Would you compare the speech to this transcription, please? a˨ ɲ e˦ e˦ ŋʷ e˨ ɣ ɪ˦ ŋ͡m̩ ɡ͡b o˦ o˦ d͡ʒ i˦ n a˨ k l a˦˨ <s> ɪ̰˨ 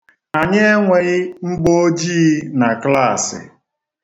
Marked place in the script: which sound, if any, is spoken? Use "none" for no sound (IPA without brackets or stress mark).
s